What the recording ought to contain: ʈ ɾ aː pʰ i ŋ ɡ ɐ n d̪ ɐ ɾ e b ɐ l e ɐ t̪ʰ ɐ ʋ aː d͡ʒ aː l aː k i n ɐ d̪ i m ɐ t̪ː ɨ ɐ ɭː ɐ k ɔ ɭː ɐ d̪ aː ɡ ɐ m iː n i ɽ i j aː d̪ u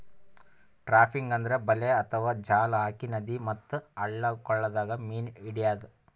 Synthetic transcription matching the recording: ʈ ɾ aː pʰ i ŋ ɡ ɐ n d̪ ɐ ɾ e b ɐ l e ɐ t̪ʰ ɐ ʋ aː d͡ʒ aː l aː k i n ɐ d̪ i m ɐ t̪ː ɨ ɐ ɭː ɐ k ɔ ɭː ɐ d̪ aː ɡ ɐ m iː n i ɽ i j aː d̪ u